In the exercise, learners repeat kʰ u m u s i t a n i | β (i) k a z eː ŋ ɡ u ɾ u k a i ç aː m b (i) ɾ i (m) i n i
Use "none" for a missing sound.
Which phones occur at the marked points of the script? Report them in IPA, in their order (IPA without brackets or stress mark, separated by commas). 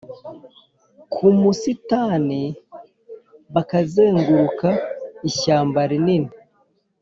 a, a, n